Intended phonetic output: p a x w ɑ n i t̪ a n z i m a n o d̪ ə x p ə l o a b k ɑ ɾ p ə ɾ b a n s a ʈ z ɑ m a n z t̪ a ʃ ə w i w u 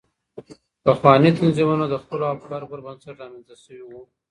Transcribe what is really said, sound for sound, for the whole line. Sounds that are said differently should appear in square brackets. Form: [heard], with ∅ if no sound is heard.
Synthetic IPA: p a x w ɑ n i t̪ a n z i m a n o d̪ ə x p ə l o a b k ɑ ɾ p ə ɾ b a n s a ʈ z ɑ m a n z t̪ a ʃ ə w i w u